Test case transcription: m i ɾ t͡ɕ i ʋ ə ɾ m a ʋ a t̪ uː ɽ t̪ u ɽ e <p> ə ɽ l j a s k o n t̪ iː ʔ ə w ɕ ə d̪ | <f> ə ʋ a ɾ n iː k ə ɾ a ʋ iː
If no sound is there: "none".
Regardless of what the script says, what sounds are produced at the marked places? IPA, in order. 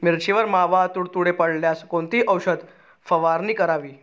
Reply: p, f

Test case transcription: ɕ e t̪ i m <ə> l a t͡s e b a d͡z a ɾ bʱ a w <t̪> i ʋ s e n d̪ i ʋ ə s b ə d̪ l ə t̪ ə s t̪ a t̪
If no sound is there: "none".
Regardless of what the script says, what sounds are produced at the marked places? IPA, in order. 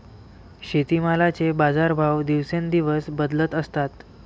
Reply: a, d̪

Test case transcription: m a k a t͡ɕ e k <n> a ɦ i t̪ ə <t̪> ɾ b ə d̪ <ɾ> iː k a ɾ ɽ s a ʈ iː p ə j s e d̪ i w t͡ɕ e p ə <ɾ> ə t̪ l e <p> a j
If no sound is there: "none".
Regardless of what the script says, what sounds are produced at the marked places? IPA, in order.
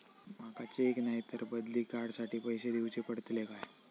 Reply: n, none, l, ɽ, k

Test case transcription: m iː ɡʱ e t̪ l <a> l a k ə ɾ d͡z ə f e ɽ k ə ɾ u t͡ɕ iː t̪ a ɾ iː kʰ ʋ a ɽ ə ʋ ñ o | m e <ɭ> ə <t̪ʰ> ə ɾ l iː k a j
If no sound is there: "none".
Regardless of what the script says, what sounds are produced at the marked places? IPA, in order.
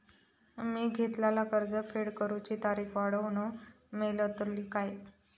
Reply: a, l, t̪

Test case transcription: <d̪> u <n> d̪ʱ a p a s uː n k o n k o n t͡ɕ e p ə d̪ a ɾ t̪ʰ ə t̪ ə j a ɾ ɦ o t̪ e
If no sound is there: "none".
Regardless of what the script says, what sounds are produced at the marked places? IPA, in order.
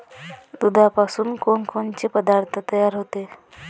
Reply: d̪, none

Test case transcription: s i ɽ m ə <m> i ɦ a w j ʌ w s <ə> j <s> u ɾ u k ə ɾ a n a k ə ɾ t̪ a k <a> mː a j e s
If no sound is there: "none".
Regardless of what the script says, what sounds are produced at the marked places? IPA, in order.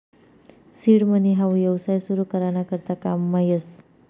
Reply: n, a, s, a

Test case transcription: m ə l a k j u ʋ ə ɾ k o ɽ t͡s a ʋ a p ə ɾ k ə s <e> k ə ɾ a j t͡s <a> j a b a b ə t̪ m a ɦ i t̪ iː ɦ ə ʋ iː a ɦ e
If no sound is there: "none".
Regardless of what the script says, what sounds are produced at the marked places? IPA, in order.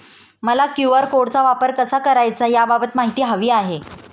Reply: a, a

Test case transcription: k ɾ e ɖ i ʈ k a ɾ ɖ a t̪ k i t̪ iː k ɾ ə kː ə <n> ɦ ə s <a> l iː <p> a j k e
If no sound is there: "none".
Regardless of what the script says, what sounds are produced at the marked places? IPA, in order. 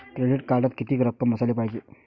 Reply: m, a, p

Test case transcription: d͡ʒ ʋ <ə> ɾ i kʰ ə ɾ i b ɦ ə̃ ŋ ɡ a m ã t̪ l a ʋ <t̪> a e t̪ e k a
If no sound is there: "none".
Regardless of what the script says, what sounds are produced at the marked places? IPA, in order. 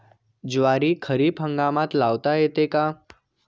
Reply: a, t̪

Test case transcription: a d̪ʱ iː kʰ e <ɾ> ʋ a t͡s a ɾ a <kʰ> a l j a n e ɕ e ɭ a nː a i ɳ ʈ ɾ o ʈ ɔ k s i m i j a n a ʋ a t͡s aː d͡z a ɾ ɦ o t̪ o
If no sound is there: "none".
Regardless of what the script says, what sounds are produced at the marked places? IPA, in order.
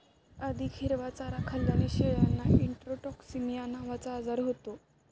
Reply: ɾ, kʰ

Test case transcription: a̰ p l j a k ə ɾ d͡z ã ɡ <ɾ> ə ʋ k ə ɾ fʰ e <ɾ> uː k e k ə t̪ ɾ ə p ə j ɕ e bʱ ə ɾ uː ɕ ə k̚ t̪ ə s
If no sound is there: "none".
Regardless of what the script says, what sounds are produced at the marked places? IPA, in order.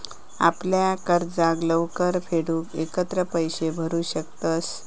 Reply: l, ɽ

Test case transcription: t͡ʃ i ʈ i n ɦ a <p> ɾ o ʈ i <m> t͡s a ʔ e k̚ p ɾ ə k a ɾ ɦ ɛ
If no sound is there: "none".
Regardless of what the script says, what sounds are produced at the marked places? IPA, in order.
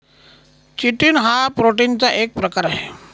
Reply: p, n

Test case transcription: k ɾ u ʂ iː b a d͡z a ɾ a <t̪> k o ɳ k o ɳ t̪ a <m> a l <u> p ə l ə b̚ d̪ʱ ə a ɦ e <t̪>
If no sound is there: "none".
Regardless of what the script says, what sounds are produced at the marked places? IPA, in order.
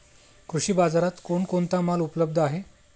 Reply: t̪, m, u, none

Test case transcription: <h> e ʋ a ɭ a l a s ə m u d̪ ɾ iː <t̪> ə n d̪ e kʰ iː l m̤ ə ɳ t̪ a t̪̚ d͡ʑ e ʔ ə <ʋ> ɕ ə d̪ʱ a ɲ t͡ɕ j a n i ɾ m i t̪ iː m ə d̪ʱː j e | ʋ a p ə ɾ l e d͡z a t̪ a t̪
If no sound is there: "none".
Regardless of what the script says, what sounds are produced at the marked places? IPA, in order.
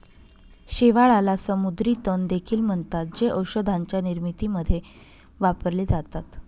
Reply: ɕ, t̪, w

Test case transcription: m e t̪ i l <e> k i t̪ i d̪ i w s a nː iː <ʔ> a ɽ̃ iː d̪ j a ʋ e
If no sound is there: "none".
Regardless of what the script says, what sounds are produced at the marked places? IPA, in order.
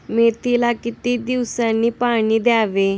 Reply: a, p

